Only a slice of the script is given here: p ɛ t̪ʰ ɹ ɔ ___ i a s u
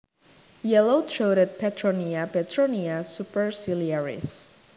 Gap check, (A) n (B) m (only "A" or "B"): A